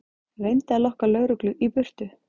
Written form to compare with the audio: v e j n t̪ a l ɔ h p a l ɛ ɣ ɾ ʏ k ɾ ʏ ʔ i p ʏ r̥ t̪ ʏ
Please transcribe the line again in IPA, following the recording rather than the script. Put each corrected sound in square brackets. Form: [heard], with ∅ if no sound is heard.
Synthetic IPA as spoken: v e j n t̪ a l ɔ h [k] a l [œ] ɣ ɾ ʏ k [l] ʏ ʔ i p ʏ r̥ t̪ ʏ